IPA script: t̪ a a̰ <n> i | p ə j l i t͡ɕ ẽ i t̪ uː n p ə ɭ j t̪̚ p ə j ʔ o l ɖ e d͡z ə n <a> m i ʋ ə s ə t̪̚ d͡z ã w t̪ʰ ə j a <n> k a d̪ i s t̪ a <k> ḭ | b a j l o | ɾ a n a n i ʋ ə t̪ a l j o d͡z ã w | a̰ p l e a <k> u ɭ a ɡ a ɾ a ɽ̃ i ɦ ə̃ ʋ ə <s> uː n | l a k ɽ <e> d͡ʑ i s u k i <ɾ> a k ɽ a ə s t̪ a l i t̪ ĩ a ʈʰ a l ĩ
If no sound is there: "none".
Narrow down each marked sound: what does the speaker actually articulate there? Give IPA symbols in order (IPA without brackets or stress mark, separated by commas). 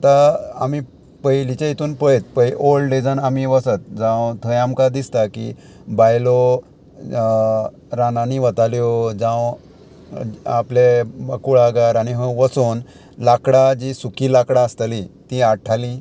m, a, m, k, k, s, a, l